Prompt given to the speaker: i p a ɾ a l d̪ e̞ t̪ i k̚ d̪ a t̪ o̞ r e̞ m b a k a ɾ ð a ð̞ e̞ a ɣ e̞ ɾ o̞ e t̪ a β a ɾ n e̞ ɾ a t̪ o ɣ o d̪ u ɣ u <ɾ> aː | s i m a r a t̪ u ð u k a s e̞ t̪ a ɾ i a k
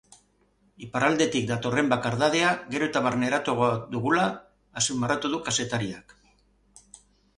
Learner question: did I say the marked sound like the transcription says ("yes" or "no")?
no